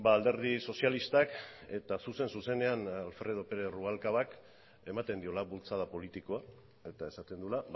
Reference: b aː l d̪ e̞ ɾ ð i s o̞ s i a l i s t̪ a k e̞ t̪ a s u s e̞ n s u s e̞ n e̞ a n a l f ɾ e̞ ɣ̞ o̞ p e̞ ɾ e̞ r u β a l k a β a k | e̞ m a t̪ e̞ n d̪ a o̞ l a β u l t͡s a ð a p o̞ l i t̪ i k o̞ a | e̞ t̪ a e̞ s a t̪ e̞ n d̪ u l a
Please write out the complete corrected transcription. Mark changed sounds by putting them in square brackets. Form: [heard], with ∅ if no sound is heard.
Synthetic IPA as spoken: b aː l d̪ e̞ ɾ ð i s o̞ s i a l i s t̪ a k e̞ t̪ a s u s e̞ n s u s e̞ n e̞ a n a l f ɾ e̞ [ð̞] o̞ p e̞ ɾ e̞ r u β a l k a β a k | e̞ m a t̪ e̞ n d̪ [i] o̞ l a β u l t͡s a ð a p o̞ l i t̪ i k o̞ a | e̞ t̪ a e̞ s a t̪ e̞ n d̪ u l a